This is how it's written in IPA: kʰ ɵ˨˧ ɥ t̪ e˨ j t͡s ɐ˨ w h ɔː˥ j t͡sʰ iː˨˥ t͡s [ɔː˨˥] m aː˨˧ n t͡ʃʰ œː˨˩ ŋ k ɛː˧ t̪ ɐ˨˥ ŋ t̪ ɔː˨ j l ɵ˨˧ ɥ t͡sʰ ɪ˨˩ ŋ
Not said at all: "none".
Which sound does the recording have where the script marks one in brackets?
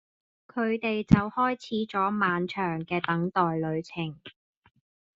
ɔː˨˥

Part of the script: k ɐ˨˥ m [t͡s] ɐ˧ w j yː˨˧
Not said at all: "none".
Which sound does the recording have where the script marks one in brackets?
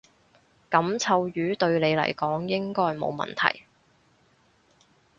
t͡sʰ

